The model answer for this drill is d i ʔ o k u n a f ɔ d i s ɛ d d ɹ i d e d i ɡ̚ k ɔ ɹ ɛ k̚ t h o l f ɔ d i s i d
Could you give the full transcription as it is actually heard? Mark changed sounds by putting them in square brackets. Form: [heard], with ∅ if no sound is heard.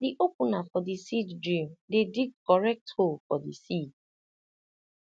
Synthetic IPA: d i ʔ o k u n a f ɔ d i s [i] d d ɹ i d e d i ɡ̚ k ɔ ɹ ɛ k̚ t h o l f ɔ d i s i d